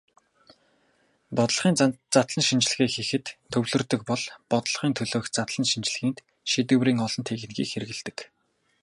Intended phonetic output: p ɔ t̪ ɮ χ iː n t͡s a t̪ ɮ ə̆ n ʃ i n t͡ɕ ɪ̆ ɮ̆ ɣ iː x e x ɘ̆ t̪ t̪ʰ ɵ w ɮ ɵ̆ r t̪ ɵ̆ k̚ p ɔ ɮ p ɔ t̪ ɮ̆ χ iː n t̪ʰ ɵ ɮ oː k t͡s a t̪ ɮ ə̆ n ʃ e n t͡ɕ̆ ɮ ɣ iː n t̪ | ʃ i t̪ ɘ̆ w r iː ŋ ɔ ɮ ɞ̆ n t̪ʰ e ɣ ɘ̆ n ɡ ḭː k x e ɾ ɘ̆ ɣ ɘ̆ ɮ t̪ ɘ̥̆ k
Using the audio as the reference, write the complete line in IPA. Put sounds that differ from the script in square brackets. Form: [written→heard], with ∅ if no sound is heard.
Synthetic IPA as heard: p ɔ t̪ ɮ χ iː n t͡s a t̪ ɮ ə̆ n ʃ i n t͡ɕ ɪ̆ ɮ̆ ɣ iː x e x ɘ̆ t̪ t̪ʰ ɵ w ɮ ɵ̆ r t̪ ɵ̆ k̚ p ɔ ɮ p ɔ t̪ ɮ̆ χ iː n t̪ʰ ɵ ɮ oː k t͡s a t̪ ɮ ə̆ n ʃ [e→i] n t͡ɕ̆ ɮ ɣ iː n t̪ | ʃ i t̪ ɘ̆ w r iː ŋ ɔ ɮ ɞ̆ n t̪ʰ e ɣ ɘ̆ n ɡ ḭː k x e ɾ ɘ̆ ɣ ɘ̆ ɮ t̪ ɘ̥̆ k